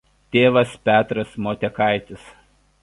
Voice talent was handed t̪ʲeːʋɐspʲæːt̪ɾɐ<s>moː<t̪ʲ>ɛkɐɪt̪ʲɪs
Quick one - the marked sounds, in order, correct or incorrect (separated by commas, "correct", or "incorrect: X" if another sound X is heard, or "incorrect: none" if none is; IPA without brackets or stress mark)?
correct, correct